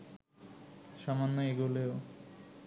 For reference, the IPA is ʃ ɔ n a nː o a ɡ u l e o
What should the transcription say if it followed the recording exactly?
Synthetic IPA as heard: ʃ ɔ m a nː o e ɡ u l e o